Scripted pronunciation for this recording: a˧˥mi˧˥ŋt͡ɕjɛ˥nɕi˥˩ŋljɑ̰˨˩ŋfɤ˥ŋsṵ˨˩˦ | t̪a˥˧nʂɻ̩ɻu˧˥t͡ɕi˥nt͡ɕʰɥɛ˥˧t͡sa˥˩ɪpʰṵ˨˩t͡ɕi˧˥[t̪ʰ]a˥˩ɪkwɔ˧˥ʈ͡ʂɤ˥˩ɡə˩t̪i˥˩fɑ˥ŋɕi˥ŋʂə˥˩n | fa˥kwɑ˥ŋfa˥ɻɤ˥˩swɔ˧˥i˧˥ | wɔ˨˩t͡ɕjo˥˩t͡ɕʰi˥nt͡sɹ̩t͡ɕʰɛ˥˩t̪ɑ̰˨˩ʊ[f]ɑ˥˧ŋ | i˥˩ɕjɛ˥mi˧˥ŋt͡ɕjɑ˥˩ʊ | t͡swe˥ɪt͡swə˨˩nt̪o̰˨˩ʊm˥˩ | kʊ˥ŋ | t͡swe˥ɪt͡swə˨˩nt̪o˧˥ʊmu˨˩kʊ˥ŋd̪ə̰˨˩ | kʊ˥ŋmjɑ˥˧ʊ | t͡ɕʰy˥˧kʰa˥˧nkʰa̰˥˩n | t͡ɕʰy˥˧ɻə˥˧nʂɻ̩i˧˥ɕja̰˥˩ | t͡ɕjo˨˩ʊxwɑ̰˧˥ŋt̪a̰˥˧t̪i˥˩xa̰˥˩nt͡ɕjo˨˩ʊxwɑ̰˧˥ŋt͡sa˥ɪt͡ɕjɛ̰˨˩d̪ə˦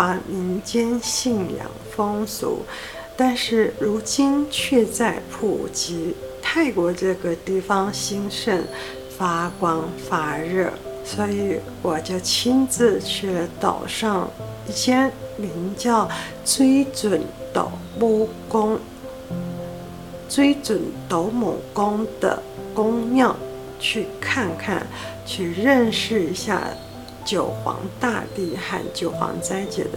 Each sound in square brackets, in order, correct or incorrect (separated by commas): correct, incorrect